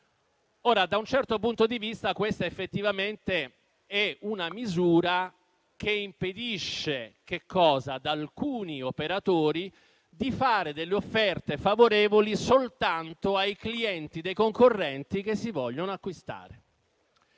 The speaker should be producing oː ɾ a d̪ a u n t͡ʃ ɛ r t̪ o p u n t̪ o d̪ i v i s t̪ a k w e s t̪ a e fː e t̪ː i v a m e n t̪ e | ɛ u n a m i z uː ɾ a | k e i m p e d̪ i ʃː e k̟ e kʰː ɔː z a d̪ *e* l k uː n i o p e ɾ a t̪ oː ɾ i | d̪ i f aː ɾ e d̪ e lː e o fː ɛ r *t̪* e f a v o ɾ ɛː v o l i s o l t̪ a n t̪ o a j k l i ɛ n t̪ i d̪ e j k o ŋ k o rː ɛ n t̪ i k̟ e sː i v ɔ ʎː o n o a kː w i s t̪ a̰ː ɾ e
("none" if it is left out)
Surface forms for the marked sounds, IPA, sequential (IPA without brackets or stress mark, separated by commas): a, t̪